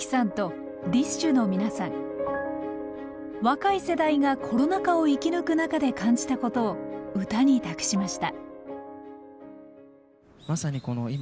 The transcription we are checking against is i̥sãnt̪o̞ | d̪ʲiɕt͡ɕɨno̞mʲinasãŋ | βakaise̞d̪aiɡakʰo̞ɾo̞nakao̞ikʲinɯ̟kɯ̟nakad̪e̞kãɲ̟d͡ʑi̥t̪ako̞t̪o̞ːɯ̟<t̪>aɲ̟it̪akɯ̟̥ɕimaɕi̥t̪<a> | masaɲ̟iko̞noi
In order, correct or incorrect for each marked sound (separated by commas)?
correct, correct